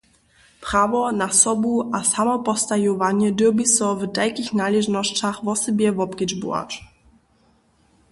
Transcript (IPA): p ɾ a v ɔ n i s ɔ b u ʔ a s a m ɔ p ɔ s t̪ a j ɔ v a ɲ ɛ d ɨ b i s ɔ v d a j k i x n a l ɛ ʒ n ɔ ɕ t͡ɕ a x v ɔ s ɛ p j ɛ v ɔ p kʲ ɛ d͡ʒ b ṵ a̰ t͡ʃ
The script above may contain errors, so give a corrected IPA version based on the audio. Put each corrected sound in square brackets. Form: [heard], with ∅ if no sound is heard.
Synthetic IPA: p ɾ a v ɔ n [a] s ɔ b u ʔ a s a m ɔ p ɔ s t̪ a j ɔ v a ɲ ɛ d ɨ b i s ɔ v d a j k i x n a l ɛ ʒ n ɔ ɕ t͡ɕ a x v ɔ s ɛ [b] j ɛ v ɔ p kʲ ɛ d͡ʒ b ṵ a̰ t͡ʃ

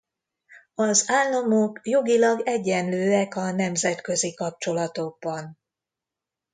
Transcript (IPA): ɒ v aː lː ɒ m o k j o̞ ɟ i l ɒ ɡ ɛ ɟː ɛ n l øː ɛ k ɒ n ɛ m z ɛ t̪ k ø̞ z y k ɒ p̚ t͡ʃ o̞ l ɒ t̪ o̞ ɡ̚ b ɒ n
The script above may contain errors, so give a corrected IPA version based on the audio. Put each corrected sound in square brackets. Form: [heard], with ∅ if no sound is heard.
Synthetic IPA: ɒ [z] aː lː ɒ m o k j o̞ [ɡ] i l ɒ ɡ ɛ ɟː ɛ n l øː ɛ k ɒ n ɛ m z ɛ t̪ k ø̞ z [i] k ɒ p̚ t͡ʃ o̞ l ɒ t̪ o̞ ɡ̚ b ɒ n

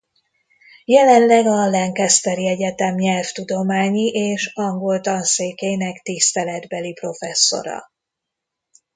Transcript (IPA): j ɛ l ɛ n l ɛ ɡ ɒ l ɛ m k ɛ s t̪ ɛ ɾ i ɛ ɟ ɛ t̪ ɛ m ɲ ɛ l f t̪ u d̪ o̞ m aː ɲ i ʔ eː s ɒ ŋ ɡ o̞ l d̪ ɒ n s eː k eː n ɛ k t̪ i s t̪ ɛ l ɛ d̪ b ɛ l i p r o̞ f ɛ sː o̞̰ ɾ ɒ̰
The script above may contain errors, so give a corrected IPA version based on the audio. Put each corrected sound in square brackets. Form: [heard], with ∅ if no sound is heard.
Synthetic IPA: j ɛ l ɛ n l ɛ ɡ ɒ l ɛ [ŋ] k ɛ s t̪ ɛ ɾ i ɛ ɟ ɛ t̪ ɛ m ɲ ɛ l f t̪ u d̪ o̞ m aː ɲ i ʔ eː [ʃ] ɒ ŋ ɡ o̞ l [t̪] ɒ n s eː k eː n ɛ k t̪ i s t̪ ɛ l ɛ d̪ b ɛ l i p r o̞ f ɛ sː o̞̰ ɾ ɒ̰

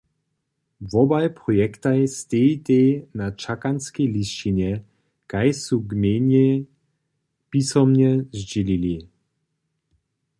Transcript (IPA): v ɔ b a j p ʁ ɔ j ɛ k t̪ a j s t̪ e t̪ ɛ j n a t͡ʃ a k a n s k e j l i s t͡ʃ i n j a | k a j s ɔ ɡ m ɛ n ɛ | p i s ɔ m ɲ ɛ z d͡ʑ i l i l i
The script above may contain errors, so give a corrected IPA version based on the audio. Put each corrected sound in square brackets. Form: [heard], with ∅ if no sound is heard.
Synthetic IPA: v ɔ b a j p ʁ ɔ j ɛ k t̪ a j s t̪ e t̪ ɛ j n a t͡ʃ a k a n s k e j l i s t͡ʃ i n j [ɛ] | k a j s [u] ɡ m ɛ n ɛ | p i s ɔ m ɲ ɛ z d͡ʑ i l i l i

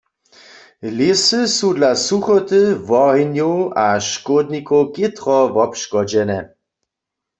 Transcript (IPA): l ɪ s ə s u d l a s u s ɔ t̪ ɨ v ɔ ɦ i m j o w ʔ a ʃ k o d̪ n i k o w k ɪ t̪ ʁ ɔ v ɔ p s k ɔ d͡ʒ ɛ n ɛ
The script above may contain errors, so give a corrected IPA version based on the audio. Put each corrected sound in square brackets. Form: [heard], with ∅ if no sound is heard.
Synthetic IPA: l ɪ s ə s u d l a s u [x] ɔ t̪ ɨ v ɔ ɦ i [n] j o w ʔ a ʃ k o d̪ n i k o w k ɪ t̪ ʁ ɔ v ɔ p [ʃ] k ɔ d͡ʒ ɛ n ɛ

